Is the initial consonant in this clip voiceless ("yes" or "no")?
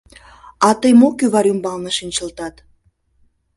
yes